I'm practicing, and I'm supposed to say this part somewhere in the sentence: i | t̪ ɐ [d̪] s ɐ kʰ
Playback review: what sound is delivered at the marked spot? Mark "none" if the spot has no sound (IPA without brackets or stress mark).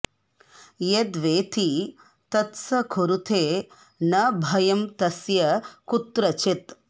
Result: t̪